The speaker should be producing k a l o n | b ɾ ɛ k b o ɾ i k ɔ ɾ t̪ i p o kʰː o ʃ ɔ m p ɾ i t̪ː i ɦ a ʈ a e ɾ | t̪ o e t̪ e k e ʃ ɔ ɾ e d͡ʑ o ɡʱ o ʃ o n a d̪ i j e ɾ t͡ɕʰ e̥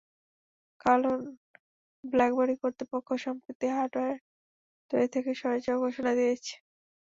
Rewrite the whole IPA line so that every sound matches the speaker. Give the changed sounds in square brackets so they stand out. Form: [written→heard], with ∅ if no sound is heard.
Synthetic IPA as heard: k a l o n | b [ɾ→l] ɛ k b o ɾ i k [ɔ→o] ɾ t̪ i p o kʰː o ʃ ɔ m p ɾ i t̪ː i ɦ a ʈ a e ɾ | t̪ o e [t̪→t̪ʰ] e k e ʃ ɔ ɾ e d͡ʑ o ɡʱ o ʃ o n a d̪ i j e [ɾ→∅] t͡ɕʰ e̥